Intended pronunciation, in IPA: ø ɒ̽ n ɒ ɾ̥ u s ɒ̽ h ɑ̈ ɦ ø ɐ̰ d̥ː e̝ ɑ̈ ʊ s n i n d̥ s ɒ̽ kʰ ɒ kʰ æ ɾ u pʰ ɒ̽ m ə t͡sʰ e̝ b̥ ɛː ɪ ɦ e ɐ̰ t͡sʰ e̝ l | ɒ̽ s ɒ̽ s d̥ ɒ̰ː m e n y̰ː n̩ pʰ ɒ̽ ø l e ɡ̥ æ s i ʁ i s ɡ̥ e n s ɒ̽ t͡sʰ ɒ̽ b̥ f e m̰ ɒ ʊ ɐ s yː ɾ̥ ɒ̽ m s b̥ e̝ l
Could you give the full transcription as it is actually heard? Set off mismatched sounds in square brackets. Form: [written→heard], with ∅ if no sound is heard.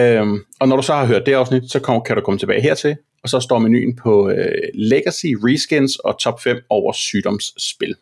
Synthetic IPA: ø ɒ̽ n ɒ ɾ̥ u s ɒ̽ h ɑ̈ ɦ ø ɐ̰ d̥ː e̝ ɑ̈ ʊ s n i [n→∅] d̥ s ɒ̽ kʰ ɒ kʰ æ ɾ u [pʰ→kʰ] ɒ̽ m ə t͡sʰ e̝ b̥ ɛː ɪ ɦ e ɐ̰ t͡sʰ e̝ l | ɒ̽ s ɒ̽ s d̥ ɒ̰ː m e n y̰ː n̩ pʰ ɒ̽ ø l e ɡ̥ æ s i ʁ i s ɡ̥ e n s ɒ̽ t͡sʰ ɒ̽ b̥ f e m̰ ɒ ʊ ɐ s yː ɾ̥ ɒ̽ m s b̥ e̝ l